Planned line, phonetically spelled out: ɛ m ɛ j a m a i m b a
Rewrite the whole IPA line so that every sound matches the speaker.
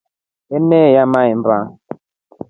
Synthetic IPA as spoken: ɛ n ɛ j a m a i m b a